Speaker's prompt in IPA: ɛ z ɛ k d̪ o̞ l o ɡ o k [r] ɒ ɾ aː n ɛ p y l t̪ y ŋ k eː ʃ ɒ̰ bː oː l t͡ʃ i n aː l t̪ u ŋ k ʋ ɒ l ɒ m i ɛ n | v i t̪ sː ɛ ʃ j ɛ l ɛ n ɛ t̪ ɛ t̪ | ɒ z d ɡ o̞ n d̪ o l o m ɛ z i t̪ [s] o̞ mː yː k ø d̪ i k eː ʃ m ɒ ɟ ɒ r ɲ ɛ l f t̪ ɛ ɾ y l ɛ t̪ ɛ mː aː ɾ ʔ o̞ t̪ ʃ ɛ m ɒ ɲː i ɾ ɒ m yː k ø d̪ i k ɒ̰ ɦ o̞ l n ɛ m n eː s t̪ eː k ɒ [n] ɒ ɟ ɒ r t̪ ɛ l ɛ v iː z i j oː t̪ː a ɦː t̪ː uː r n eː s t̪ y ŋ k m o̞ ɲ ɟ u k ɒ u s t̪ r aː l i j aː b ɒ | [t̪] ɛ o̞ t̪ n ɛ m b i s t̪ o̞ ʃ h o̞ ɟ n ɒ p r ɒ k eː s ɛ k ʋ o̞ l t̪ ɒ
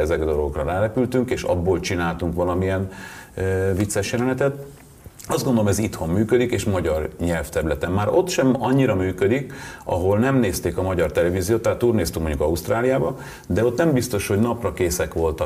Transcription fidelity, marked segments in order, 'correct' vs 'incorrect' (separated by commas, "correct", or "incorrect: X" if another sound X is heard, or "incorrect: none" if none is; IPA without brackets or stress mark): correct, incorrect: h, incorrect: m, incorrect: d̪